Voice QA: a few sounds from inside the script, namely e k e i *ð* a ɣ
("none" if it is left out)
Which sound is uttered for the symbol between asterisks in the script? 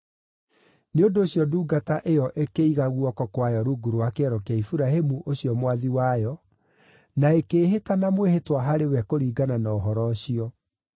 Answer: ɣ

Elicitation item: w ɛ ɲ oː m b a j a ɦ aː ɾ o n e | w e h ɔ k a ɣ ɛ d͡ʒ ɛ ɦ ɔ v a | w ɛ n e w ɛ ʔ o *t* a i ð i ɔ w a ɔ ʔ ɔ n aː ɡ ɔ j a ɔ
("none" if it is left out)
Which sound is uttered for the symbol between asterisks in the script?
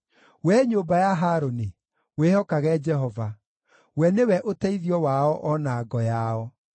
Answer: t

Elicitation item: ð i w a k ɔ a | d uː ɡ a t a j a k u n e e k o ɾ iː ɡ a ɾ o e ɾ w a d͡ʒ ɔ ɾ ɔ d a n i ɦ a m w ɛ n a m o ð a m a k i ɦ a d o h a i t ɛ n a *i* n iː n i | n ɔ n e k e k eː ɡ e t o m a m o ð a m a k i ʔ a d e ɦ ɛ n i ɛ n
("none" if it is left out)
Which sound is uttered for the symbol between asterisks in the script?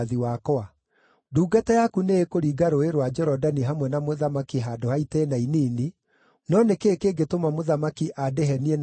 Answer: i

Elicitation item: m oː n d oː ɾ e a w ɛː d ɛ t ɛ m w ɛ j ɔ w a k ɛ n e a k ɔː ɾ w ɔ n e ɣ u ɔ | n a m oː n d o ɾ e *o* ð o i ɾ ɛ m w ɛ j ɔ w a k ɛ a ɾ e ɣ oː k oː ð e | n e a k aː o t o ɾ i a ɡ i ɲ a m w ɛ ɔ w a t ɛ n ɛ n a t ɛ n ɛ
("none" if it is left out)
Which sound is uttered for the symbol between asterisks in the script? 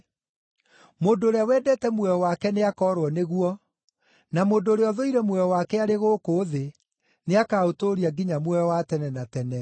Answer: ɔ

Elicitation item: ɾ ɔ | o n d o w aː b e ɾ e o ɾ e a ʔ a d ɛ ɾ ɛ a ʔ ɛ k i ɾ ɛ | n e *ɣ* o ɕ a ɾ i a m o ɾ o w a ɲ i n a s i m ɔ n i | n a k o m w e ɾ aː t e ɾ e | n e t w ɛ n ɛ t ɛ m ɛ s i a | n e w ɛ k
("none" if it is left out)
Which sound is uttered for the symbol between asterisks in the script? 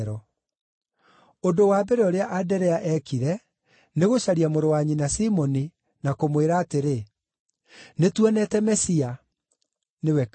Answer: ɣ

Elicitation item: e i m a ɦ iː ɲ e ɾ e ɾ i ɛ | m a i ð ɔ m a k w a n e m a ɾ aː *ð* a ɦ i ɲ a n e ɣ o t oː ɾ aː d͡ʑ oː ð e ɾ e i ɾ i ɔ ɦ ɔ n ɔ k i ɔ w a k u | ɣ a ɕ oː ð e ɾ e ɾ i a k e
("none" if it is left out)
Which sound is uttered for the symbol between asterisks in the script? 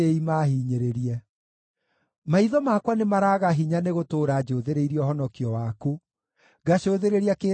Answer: ɣ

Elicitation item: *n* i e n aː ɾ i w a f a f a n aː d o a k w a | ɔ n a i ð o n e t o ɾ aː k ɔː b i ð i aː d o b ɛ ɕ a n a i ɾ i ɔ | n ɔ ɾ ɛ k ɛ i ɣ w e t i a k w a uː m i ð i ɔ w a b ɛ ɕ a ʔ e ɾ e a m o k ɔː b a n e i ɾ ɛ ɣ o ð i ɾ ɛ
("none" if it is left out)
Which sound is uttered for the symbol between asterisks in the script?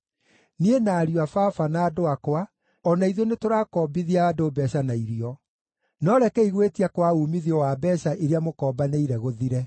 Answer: n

